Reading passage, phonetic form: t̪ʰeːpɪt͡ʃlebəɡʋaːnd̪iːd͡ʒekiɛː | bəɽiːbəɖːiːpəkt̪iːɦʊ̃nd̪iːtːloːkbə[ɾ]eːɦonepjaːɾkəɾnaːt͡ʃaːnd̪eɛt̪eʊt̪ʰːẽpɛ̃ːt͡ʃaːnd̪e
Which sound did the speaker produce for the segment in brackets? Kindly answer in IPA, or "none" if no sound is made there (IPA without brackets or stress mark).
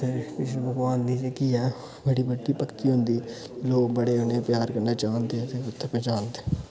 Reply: ɽ